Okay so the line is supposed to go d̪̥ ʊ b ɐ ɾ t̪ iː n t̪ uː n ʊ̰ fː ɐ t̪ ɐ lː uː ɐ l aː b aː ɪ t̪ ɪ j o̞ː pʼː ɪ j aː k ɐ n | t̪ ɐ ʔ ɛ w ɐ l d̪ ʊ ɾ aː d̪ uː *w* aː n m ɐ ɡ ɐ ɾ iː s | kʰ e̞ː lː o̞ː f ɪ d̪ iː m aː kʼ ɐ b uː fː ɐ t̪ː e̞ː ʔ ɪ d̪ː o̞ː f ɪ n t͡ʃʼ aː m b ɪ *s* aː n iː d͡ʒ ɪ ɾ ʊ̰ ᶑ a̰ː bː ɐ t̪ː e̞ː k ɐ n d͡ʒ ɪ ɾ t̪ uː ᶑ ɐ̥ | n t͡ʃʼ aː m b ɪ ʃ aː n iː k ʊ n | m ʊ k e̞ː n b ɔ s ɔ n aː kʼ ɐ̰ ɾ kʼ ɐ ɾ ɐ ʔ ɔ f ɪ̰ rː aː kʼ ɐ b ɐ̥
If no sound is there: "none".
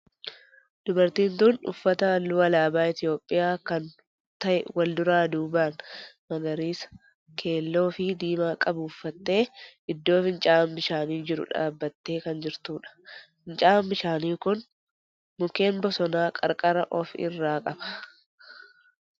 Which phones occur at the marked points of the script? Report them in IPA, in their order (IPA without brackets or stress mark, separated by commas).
b, ʃ